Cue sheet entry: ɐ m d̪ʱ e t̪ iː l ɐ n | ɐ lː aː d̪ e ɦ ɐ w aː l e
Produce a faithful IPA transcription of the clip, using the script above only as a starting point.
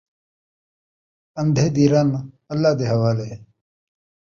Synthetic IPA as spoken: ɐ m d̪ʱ e d̪ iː ɾ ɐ n | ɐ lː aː d̪ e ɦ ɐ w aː l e